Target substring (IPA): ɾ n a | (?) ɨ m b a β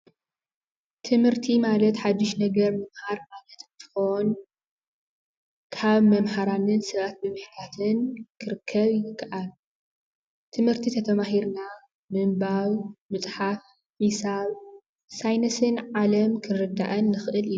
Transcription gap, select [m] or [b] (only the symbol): m